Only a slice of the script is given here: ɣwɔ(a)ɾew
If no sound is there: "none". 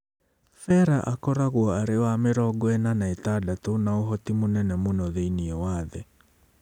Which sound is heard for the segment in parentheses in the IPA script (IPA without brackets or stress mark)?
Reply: a